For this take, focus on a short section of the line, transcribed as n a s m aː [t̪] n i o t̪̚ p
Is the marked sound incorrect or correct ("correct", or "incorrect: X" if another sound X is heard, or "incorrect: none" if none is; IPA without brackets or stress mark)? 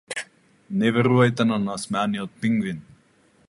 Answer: incorrect: none